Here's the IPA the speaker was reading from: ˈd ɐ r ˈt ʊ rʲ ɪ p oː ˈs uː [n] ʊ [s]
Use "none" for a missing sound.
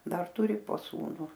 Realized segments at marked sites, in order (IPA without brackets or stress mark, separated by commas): n, none